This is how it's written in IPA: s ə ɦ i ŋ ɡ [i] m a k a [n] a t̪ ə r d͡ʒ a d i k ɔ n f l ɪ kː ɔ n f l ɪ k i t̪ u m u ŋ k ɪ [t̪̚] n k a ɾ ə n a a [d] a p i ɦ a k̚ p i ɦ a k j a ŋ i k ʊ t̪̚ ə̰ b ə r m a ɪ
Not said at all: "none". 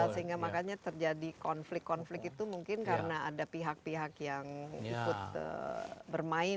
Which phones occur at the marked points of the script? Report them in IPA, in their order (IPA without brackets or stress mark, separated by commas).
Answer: a, ɲ, none, d